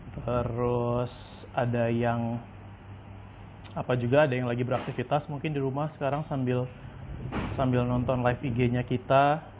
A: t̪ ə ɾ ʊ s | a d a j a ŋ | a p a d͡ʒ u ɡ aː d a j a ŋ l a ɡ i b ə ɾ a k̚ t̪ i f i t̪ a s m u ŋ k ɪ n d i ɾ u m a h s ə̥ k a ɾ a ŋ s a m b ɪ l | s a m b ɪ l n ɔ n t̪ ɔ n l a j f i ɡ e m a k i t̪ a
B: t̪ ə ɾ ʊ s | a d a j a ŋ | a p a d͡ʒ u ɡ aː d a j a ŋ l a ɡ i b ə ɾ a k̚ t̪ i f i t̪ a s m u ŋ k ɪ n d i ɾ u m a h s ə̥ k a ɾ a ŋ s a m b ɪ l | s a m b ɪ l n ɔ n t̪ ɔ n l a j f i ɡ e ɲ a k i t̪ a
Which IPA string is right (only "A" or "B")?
B